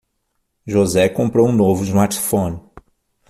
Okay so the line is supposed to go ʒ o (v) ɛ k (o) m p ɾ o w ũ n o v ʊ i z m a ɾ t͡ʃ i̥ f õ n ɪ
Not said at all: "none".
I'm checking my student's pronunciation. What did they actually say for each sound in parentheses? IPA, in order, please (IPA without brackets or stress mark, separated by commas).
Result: z, õ